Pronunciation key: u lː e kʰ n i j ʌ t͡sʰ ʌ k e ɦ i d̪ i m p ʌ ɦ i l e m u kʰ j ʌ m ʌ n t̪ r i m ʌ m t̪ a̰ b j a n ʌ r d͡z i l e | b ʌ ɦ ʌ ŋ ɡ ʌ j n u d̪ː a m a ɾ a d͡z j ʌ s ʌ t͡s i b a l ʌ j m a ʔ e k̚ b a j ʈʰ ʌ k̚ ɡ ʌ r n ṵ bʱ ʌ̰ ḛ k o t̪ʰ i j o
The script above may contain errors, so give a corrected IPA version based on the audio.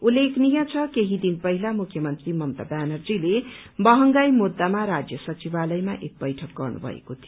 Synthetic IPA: u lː e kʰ n i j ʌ t͡sʰ ʌ k e ɦ i d̪ i n p ʌ ɦ i l a m u kʰ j ʌ m ʌ n t̪ r i m ʌ m t̪ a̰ b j a n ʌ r d͡z i l e | b ʌ ɦ ʌ ŋ ɡ a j m u d̪ː a m a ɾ a d͡z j ʌ s ʌ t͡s i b a l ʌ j m a ʔ e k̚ b ʌ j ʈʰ ʌ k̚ ɡ ʌ r n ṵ bʱ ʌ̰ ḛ k o t̪ʰ i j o